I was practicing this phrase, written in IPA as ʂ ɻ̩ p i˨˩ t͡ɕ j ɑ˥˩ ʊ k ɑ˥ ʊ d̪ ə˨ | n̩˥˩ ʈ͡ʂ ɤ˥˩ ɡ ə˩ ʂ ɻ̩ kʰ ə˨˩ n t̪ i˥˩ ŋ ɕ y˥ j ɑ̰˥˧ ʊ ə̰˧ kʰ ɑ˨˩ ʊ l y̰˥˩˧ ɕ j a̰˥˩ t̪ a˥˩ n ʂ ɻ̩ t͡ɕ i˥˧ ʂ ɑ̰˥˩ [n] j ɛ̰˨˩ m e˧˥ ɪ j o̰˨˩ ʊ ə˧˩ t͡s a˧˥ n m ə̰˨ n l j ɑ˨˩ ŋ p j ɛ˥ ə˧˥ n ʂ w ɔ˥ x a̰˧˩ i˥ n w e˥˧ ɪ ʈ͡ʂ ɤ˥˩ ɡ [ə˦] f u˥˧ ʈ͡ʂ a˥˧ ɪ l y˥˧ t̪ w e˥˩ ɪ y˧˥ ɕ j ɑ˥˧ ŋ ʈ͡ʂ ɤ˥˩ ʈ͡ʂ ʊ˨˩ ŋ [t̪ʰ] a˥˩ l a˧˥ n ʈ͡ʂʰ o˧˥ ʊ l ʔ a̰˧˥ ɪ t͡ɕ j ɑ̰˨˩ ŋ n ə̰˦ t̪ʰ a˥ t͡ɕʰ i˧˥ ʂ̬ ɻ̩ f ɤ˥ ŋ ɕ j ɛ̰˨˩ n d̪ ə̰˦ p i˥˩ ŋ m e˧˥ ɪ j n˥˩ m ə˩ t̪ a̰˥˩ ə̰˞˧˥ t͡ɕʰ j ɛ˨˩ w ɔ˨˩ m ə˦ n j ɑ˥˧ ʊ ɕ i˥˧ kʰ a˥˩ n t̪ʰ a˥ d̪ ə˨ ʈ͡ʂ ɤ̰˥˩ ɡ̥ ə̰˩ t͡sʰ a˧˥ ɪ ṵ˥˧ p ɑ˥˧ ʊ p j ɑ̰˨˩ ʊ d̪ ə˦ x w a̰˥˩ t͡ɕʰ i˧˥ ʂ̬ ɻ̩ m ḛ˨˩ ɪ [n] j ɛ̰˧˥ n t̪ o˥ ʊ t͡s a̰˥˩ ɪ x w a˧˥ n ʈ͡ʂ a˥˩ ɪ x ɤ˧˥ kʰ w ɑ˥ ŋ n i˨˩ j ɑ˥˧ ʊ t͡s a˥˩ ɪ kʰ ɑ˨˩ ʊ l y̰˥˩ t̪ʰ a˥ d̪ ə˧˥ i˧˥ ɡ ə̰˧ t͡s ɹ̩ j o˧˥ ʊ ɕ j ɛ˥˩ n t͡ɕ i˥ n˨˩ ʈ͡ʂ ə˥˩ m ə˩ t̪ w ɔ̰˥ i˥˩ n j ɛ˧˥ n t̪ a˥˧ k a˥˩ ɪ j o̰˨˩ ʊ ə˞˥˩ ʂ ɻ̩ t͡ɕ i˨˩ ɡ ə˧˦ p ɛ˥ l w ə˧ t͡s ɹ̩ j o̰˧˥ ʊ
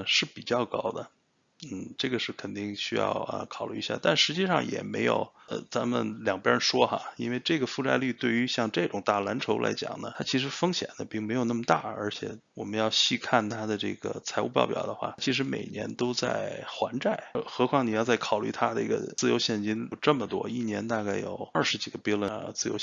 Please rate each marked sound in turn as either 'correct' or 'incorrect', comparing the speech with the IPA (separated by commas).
incorrect, incorrect, incorrect, correct